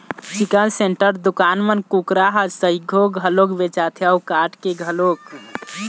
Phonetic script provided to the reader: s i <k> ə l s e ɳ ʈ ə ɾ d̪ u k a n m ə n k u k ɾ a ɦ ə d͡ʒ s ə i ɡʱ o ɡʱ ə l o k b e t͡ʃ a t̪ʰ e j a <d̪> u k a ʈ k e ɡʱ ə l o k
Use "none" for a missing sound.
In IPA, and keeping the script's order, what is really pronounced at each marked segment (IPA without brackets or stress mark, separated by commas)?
k, none